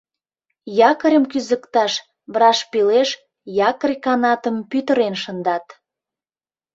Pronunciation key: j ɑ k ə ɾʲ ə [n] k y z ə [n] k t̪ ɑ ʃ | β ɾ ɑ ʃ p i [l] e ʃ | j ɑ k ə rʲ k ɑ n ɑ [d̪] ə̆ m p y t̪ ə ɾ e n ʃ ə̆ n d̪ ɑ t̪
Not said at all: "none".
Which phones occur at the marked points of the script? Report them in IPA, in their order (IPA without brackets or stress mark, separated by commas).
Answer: m, none, l, t̪